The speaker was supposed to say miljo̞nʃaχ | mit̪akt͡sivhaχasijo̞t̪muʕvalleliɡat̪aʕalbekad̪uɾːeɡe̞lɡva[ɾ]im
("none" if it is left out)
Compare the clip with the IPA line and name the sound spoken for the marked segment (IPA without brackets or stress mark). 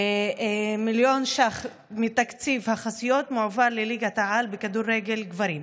ɾ